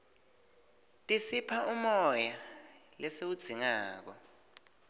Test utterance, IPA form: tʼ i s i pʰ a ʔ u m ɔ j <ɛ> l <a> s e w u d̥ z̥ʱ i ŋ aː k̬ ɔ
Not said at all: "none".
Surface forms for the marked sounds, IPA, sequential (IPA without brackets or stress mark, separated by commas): a, ɛ